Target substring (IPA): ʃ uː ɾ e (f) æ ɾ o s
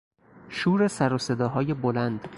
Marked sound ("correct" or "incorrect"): incorrect